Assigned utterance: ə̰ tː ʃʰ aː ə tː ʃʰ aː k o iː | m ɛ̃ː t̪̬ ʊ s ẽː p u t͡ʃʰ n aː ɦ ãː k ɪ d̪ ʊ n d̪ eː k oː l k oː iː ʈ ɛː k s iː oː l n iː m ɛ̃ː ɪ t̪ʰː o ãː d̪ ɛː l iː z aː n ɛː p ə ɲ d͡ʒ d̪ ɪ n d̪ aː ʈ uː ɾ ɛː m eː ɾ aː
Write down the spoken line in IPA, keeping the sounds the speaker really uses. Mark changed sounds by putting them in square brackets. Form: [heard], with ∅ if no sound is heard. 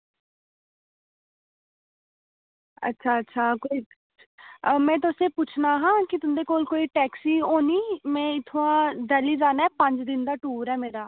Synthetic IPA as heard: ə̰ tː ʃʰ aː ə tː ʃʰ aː k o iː | m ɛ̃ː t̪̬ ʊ s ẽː p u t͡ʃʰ n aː ɦ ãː k ɪ [t̪] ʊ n d̪ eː k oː l k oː iː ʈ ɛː k s iː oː [∅] n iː m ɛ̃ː ɪ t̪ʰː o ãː d̪ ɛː l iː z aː n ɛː p ə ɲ d͡ʒ d̪ ɪ n d̪ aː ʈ uː ɾ ɛː m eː ɾ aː

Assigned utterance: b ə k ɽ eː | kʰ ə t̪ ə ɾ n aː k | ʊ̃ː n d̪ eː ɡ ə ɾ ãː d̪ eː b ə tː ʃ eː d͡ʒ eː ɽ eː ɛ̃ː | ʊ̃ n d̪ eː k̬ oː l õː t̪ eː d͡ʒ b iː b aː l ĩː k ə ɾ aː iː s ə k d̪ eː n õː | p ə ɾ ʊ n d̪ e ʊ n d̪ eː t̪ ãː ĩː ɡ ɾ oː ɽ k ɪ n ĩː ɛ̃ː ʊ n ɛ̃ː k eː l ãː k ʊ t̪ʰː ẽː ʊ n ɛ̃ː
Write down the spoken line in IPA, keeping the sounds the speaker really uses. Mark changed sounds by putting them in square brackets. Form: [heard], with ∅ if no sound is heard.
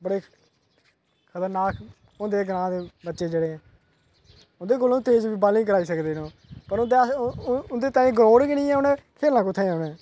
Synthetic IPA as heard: b ə [∅] ɽ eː | kʰ ə t̪ ə ɾ n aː k | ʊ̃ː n d̪ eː ɡ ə ɾ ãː d̪ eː b ə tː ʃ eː d͡ʒ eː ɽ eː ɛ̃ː | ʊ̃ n d̪ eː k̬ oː l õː t̪ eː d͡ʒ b iː b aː l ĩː k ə ɾ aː iː s ə k d̪ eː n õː | p ə ɾ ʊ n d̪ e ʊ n d̪ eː t̪ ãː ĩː ɡ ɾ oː ɽ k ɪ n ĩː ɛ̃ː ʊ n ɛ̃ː [kʰ] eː l ãː k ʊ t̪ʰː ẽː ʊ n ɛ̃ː

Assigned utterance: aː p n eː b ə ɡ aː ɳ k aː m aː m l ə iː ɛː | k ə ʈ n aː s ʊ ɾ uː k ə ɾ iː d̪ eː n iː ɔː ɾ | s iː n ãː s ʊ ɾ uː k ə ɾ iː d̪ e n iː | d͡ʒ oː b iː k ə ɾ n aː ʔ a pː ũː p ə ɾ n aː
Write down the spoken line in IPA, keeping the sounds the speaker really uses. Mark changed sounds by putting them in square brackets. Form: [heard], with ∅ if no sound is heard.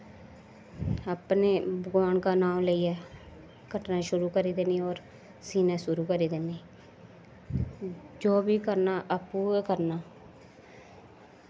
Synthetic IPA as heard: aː p n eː b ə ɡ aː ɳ k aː [n] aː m l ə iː ɛː | k ə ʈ n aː [ʃ] ʊ ɾ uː k ə ɾ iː d̪ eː n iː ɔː ɾ | s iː n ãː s ʊ ɾ uː k ə ɾ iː d̪ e n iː | d͡ʒ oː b iː k ə ɾ n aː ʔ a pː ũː [k] ə ɾ n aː

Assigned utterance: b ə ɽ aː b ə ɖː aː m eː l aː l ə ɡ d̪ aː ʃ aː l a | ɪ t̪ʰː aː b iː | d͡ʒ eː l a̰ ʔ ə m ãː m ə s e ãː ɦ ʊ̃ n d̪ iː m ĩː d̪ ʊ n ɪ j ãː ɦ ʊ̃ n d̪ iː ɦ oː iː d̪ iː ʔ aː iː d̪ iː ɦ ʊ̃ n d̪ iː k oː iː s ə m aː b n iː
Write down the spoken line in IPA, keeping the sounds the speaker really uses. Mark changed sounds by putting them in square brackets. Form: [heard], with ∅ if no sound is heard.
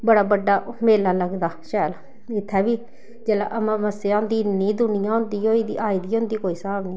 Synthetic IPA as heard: b ə ɽ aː b ə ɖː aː m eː l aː l ə ɡ d̪ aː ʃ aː l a | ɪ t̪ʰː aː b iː | d͡ʒ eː l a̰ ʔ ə m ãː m ə s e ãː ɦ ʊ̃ n d̪ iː [n] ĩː d̪ ʊ n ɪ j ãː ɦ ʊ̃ n d̪ iː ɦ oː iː d̪ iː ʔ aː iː d̪ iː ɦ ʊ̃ n d̪ iː k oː iː s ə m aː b n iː

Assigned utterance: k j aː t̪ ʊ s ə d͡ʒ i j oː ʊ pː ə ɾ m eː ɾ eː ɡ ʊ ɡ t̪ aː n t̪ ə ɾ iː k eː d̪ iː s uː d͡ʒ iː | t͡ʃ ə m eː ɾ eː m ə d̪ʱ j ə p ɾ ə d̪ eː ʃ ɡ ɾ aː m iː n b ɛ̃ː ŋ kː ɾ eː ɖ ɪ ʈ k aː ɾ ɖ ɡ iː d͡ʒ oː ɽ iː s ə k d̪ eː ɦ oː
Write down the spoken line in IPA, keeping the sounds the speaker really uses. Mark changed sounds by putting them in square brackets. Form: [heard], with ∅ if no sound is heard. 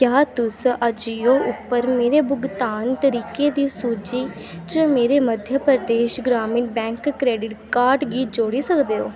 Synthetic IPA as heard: k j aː t̪ ʊ s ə d͡ʒ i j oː ʊ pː ə ɾ m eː ɾ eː [b] ʊ ɡ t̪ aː n t̪ ə ɾ iː k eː d̪ iː s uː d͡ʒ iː | t͡ʃ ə m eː ɾ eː m ə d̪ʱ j ə p ɾ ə d̪ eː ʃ ɡ ɾ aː m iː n b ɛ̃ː ŋ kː ɾ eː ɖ ɪ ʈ k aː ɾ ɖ ɡ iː d͡ʒ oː ɽ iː s ə k d̪ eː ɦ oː

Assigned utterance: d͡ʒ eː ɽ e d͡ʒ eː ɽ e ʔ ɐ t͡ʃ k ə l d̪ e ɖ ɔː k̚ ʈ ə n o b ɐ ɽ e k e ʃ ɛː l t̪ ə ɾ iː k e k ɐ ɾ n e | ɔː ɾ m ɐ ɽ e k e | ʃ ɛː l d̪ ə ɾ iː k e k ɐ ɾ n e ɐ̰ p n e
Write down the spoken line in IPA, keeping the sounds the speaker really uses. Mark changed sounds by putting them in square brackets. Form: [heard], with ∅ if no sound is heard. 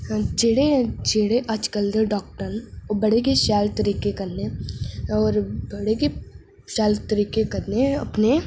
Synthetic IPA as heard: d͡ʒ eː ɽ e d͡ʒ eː ɽ e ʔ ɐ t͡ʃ k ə l d̪ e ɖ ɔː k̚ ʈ ə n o b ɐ ɽ e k e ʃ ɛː l t̪ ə ɾ iː k e k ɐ ɾ n e | ɔː ɾ [b] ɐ ɽ e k e | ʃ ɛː l [t̪] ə ɾ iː k e k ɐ ɾ n e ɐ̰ p n e

